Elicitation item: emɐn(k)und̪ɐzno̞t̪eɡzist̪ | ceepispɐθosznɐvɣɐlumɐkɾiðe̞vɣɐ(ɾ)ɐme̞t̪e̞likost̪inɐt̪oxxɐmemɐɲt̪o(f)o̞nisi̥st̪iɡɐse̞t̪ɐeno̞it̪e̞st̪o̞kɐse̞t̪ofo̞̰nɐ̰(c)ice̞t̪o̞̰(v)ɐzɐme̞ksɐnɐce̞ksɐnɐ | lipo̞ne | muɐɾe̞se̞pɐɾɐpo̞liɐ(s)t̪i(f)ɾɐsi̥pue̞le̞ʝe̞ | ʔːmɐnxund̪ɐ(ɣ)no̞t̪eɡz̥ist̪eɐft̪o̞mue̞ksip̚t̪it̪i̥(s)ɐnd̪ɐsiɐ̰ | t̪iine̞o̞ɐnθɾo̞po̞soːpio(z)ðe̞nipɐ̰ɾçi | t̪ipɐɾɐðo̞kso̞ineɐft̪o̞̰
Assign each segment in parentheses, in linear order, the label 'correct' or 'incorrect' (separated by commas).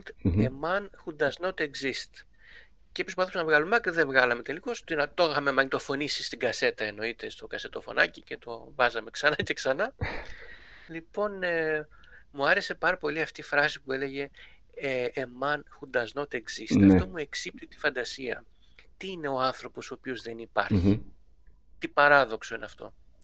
incorrect, incorrect, correct, correct, correct, incorrect, correct, incorrect, incorrect, correct